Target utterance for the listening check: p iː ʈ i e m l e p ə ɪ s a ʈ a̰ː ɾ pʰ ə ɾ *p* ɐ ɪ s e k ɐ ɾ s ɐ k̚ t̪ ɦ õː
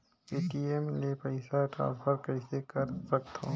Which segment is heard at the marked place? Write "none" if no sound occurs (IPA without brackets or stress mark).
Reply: k